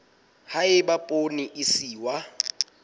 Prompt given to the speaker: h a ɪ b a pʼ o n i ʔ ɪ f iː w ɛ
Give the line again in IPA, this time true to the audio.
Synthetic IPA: h a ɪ b a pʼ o n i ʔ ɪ s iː w a